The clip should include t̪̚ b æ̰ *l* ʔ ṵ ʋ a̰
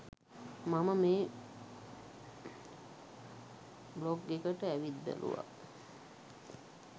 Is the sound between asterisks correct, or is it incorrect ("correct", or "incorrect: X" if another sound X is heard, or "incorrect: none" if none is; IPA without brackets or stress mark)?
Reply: correct